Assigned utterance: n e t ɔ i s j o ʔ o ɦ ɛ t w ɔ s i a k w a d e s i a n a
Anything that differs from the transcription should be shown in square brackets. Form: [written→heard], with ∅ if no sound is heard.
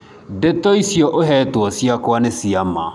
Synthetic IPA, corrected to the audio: [n→d] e t ɔ i s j [o→ɔ] ʔ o ɦ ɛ t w ɔ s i a k w a [d→n] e s i a [n→m] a